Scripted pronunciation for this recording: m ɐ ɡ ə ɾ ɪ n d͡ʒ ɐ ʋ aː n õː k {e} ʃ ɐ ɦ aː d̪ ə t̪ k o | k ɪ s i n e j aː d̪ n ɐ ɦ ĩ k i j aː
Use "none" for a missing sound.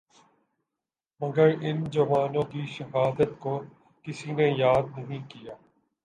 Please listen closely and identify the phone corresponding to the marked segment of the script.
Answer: i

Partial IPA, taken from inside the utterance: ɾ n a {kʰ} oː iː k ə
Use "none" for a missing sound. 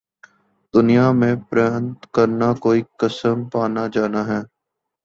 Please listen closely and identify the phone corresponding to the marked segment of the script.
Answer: k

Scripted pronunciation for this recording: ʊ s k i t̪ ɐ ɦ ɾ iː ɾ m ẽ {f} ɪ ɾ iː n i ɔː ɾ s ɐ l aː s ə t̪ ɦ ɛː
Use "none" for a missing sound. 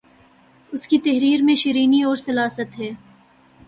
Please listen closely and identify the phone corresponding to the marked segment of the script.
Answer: ʃ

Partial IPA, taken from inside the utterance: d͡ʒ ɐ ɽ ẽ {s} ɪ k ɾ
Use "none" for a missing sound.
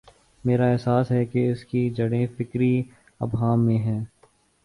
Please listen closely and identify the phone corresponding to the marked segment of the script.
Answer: f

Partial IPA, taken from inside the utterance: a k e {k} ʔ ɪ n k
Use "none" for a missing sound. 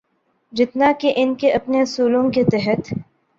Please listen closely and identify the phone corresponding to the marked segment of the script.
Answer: none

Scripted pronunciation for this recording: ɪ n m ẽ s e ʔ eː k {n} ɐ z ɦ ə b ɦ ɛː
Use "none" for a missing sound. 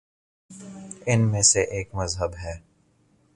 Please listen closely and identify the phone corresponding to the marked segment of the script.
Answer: m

